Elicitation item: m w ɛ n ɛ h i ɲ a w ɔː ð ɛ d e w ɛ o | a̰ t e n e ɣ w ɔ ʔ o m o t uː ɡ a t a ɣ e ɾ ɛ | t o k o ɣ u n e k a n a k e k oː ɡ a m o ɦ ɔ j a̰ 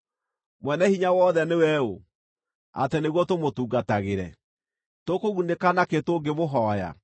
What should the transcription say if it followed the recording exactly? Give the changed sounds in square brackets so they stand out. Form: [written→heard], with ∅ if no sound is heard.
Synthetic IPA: m w ɛ n ɛ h i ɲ a w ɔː ð ɛ [d→n] e w ɛ o | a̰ t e n e ɣ w ɔ [ʔ→t] o m o t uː ɡ a t a ɣ e ɾ ɛ | t o k o ɣ u n e k a n a k e [k→t] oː ɡ [a→e] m o ɦ ɔ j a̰